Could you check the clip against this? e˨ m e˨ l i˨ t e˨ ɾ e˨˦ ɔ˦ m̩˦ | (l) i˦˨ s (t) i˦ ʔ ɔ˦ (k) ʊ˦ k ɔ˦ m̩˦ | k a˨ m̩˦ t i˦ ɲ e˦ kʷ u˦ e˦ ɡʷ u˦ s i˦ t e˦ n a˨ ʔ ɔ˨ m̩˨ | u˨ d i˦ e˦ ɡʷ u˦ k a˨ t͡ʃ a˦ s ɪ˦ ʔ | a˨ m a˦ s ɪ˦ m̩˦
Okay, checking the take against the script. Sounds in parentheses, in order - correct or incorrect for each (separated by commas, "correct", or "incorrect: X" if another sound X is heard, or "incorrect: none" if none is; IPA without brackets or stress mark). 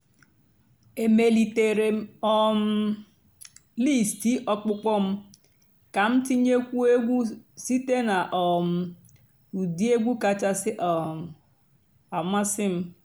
correct, correct, incorrect: k͡p